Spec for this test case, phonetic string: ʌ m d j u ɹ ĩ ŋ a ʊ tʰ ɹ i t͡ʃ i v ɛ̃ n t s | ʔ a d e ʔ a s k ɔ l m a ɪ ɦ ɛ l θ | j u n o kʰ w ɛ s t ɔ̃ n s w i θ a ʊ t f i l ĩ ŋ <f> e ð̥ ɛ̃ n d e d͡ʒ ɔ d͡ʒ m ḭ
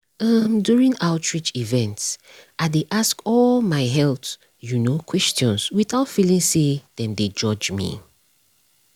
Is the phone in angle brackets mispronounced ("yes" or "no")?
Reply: yes